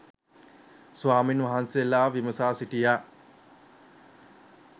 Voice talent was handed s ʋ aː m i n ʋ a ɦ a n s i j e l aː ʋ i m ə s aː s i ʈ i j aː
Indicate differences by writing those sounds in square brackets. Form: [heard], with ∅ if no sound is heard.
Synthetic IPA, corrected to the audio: s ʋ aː m i n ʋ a ɦ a n s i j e l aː ʋ i m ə s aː s i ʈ i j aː